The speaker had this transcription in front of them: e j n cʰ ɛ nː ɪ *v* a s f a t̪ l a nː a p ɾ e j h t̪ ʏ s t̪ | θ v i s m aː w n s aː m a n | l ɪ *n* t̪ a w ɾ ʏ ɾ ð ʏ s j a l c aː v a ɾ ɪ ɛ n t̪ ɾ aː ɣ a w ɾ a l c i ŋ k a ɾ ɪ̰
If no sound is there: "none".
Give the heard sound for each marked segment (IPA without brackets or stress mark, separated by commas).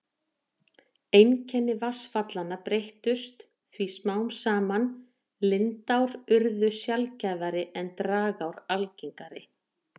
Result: v, n